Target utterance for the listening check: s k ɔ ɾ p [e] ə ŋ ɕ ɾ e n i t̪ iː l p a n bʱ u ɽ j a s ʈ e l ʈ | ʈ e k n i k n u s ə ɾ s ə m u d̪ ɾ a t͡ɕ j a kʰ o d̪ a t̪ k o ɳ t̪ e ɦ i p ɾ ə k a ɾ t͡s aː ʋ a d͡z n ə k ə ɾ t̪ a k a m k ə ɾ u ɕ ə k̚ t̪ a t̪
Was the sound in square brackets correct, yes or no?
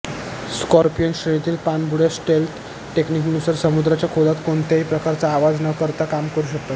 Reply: no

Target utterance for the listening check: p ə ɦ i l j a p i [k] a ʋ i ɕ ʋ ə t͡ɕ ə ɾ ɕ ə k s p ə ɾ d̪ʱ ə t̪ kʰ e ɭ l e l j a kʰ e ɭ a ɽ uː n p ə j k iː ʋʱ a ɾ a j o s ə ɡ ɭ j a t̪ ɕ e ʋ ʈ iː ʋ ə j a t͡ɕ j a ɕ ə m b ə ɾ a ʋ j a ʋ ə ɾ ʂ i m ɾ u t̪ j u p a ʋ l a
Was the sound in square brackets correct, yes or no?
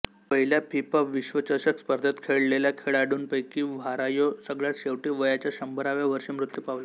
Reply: no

